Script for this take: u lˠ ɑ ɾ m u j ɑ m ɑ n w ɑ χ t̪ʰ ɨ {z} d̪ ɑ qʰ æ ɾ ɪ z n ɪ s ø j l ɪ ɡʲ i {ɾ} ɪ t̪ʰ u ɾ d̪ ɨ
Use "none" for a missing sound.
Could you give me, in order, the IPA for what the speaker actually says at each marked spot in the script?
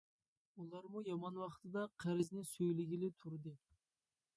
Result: none, l

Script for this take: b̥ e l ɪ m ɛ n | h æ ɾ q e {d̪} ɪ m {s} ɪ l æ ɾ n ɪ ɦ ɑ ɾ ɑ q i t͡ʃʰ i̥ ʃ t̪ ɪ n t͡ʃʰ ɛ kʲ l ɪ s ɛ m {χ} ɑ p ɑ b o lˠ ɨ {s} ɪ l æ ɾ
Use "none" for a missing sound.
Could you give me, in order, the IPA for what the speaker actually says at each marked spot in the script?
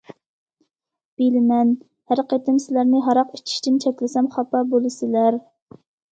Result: t̪, s, χ, s

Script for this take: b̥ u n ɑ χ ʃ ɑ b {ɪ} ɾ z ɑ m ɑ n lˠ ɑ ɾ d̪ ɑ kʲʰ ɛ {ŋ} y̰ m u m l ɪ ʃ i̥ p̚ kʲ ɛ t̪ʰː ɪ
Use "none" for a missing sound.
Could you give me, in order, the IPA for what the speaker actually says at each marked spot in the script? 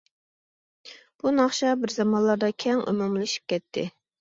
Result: ɪ, ŋ

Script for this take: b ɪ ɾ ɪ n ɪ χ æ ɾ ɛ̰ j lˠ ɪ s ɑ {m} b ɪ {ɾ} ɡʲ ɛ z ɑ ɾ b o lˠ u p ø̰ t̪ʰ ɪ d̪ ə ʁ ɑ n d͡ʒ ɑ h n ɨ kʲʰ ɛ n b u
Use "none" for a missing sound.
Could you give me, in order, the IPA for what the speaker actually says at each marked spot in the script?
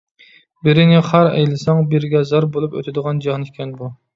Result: ŋ, ɾ

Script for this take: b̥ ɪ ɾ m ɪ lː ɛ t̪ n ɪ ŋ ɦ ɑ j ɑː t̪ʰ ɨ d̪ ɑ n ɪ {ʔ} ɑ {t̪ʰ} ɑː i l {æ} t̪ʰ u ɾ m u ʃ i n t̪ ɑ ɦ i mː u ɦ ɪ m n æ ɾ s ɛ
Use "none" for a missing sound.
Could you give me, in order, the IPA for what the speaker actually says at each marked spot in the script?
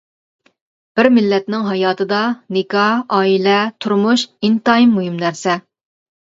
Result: k, none, ɛ

